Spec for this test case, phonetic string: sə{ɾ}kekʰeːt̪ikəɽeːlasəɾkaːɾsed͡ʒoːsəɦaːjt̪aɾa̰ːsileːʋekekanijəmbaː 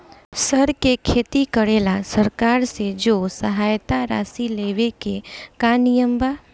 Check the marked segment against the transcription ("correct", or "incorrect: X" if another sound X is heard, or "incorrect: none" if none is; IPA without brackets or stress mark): correct